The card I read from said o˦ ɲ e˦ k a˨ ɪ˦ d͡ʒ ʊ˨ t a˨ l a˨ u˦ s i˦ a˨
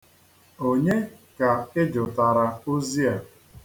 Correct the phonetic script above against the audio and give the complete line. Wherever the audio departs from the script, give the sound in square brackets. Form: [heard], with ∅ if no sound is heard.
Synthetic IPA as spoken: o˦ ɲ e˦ k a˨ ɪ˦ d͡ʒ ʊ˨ t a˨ [ɾ] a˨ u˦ [z] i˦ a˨